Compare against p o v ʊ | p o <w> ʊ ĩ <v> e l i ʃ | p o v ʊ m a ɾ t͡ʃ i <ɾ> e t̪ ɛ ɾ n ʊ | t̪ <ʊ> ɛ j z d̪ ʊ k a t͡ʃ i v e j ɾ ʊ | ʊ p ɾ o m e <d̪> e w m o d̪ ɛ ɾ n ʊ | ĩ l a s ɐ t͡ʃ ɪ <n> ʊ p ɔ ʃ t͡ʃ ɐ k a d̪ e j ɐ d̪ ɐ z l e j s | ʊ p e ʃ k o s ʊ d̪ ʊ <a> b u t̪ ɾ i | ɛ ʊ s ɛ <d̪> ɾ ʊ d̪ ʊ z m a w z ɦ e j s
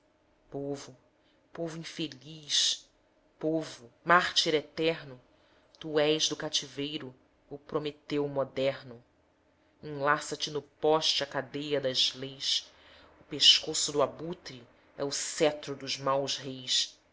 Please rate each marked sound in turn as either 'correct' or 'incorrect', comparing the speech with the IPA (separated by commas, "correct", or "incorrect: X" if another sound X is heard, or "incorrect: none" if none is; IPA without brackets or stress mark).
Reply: incorrect: v, incorrect: f, correct, incorrect: u, incorrect: t̪, correct, correct, incorrect: t̪